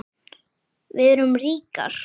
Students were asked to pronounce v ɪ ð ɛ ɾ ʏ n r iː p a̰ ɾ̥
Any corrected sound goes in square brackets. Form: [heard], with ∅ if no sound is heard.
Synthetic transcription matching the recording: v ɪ ð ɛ ɾ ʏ [m] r iː [k] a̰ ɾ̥